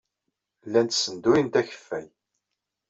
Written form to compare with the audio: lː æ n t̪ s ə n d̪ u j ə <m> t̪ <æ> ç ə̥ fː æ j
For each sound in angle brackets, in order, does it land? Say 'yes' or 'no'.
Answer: no, yes

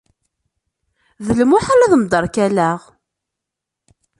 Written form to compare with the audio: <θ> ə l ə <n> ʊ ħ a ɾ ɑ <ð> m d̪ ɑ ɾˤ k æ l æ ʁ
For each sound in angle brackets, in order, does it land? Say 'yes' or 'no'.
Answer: no, no, yes

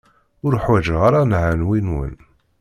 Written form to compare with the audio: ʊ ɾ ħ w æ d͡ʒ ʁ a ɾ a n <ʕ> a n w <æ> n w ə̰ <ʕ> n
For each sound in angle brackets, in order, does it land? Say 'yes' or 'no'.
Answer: yes, no, no

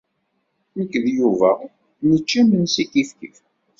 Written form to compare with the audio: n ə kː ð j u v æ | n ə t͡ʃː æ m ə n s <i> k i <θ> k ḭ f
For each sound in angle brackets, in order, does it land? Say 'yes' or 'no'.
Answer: yes, no

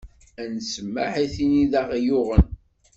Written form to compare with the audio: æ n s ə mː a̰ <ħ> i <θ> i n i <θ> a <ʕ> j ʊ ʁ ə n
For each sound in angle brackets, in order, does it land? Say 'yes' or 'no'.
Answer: yes, yes, no, no

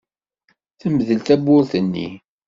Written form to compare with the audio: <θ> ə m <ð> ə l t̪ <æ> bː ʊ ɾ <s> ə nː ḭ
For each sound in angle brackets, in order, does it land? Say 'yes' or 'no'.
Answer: yes, yes, yes, no

